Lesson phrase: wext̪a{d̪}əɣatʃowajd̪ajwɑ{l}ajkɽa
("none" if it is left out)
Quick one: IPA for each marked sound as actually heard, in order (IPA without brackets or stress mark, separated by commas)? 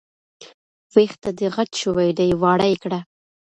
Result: d̪, ɽ